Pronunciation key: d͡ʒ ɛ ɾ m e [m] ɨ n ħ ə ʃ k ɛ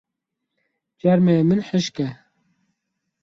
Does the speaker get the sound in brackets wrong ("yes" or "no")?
no